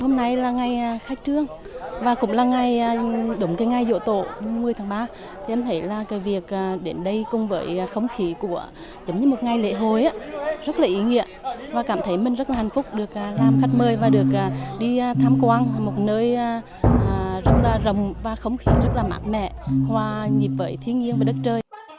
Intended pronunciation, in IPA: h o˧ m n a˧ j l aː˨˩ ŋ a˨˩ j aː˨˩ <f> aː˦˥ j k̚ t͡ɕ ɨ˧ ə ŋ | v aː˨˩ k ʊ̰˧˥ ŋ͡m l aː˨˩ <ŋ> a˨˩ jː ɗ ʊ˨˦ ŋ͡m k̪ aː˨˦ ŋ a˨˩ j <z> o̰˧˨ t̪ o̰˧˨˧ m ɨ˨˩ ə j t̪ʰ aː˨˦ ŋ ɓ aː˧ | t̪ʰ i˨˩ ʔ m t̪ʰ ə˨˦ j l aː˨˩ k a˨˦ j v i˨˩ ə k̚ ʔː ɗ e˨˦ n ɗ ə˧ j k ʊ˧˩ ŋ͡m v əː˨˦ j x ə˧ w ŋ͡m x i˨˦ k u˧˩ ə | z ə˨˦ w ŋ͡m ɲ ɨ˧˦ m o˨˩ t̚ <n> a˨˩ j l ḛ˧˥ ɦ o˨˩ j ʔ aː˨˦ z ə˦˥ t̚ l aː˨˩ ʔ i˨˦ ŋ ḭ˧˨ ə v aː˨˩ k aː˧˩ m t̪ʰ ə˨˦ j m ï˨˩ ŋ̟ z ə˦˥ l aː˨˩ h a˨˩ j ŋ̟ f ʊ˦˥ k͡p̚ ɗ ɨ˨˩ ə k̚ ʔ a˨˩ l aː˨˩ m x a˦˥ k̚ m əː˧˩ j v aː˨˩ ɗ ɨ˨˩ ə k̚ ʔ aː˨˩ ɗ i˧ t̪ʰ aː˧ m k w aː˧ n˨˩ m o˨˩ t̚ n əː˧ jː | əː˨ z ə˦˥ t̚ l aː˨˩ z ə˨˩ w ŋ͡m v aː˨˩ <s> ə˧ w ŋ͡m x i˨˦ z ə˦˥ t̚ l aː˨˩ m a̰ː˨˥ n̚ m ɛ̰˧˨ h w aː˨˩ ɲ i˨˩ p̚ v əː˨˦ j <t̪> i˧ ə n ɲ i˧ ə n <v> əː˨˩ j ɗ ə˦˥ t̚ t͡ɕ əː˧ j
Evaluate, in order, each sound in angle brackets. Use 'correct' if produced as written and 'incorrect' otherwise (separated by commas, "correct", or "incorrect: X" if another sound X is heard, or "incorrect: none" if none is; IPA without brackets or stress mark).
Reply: incorrect: x, correct, correct, incorrect: ŋ, incorrect: x, incorrect: t̪ʰ, correct